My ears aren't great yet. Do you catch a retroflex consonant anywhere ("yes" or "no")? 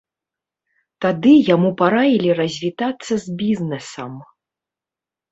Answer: no